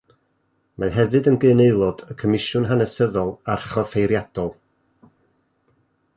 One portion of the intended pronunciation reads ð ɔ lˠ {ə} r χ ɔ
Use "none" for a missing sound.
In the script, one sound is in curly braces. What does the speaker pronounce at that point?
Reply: a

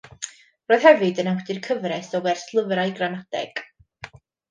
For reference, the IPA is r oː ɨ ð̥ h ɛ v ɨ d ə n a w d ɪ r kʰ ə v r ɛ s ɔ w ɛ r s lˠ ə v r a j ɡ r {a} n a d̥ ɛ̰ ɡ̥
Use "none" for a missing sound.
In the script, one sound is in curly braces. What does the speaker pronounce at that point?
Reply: a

